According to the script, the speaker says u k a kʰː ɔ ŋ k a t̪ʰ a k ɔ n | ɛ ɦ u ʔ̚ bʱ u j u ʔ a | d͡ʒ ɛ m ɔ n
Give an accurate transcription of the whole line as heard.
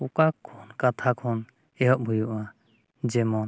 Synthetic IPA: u k a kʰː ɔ n k a t̪ʰ a kʰ ɔ n | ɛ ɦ ɔ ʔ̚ bʱ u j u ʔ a | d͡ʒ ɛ m ɔ n